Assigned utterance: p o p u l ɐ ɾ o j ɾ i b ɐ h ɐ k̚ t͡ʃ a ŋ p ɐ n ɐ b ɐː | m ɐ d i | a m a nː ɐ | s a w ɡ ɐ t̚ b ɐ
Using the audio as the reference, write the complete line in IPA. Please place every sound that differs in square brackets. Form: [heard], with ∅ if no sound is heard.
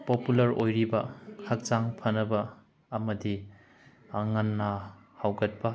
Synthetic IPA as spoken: p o p u l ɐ ɾ o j ɾ i b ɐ h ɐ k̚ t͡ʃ a ŋ [pʰ] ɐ n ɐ b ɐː | m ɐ d i | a [ŋ] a nː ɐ | [h] a w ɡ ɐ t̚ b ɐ

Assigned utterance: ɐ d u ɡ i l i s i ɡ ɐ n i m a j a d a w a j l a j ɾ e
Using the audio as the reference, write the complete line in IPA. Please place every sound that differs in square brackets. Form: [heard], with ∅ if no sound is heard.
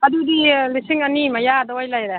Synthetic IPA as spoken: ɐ d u [d] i l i s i [ŋ] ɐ n i m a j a d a w a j l a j ɾ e

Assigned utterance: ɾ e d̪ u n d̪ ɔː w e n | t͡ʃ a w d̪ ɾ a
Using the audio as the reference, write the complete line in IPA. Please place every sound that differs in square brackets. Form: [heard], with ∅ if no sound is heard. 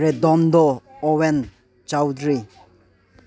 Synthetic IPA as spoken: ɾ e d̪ [ɔ] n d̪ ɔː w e n | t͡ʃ a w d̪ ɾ [i]

